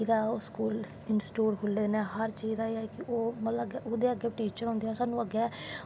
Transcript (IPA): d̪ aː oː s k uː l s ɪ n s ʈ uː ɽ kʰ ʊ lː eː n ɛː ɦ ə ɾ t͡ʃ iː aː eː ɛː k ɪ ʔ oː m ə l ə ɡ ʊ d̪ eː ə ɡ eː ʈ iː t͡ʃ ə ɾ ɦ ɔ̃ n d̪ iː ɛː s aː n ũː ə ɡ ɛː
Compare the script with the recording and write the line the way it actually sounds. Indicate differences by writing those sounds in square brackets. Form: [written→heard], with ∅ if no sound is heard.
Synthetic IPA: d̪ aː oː s k uː l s ɪ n s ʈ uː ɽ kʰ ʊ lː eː n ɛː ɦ ə ɾ t͡ʃ iː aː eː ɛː k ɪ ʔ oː m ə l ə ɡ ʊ d̪ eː ə ɡ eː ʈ iː t͡ʃ ə ɾ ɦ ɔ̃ n d̪ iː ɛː s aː n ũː ə ɡ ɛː